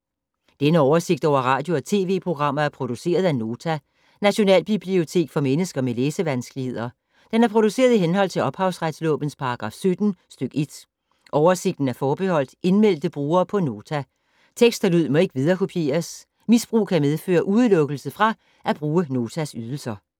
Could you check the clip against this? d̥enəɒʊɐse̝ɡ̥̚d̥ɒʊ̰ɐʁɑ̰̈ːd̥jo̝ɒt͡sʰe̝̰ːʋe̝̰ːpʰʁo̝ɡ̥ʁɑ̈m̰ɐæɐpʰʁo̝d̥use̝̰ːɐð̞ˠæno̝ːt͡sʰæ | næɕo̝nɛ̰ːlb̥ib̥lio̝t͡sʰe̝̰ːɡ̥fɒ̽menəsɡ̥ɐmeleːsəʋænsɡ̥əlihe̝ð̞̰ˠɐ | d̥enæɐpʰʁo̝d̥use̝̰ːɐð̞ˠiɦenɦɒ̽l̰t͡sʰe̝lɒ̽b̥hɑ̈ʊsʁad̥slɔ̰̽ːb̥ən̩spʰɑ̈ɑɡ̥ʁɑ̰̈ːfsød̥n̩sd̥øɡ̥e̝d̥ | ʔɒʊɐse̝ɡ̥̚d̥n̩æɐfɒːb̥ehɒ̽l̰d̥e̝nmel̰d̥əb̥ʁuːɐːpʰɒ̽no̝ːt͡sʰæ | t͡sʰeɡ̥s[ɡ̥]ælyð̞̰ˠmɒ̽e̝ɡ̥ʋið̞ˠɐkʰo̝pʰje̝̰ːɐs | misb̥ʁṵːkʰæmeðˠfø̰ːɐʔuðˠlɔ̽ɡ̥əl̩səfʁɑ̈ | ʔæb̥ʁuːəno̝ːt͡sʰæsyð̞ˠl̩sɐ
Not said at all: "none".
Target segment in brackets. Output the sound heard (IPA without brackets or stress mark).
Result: d̥